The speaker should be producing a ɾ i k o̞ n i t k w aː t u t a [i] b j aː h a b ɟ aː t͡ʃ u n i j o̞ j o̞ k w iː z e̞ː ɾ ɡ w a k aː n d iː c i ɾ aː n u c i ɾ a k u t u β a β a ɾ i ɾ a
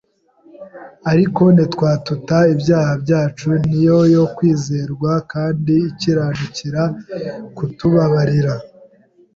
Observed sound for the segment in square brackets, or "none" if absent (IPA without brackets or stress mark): i